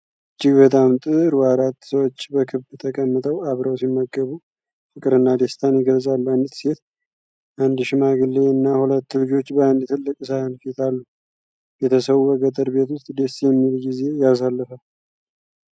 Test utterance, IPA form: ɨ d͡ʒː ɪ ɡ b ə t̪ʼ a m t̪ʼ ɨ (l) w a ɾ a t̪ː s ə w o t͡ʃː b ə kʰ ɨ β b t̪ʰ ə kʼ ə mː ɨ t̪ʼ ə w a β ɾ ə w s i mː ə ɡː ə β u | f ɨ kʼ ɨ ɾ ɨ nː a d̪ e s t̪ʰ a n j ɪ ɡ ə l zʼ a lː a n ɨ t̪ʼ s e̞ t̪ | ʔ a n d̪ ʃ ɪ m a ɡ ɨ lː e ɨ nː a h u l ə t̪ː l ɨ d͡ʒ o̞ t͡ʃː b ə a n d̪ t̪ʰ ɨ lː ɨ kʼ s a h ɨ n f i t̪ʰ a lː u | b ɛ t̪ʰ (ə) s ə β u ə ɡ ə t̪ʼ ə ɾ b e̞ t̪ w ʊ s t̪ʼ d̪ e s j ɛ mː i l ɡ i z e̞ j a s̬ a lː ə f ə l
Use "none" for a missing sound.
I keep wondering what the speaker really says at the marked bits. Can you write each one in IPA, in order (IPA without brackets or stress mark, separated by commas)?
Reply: ɾ, ə